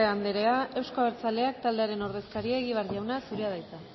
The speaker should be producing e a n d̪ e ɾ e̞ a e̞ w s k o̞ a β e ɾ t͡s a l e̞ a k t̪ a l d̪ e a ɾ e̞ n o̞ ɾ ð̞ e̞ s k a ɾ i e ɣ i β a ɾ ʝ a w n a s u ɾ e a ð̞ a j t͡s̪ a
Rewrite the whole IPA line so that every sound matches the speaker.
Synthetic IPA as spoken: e a n d̪ e ɾ e̞ a e̞ w s k o̞ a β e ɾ t͡s a l e̞ a k t̪ a l d̪ e a ɾ e̞ n o̞ ɾ ð̞ e̞ s k a ɾ i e ɣ i β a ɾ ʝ a w n a s u ɾ e a ð̞ a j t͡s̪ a